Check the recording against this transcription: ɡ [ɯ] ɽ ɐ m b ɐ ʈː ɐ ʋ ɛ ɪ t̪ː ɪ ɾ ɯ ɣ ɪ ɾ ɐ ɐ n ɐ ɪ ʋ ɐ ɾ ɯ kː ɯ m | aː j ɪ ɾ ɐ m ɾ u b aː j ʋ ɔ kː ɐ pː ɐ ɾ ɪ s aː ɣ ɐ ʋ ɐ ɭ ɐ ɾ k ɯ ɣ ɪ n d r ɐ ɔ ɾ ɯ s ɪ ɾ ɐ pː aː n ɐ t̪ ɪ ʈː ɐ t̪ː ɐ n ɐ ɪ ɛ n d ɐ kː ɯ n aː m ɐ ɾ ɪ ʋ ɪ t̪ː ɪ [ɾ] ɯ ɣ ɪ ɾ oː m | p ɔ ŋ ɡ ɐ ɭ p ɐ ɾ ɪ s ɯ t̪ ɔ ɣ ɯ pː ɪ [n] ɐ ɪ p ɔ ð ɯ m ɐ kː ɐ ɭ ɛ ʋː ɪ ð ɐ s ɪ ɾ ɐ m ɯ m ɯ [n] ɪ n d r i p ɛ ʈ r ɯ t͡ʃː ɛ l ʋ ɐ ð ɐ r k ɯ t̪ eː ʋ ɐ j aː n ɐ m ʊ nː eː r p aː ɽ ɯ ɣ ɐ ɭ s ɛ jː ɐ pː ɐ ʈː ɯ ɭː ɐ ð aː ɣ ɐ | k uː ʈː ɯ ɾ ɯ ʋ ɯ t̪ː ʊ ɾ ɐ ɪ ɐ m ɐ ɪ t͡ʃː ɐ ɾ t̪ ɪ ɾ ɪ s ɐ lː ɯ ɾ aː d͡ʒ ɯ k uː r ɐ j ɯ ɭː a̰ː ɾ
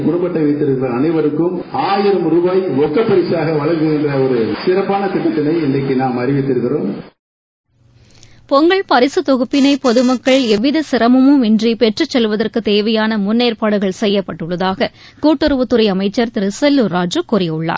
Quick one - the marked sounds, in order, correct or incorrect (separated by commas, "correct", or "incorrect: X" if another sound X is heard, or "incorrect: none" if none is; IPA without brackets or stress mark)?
incorrect: ʊ, correct, correct, incorrect: m